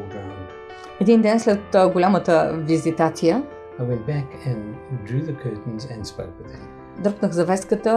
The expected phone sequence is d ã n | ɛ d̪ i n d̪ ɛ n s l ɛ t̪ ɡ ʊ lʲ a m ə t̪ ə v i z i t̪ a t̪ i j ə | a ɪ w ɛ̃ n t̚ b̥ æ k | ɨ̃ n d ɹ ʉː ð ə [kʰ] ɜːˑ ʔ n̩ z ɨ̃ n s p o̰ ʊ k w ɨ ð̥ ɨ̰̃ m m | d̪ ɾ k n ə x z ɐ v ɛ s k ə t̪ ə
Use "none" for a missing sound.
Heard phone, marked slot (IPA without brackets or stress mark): kʰ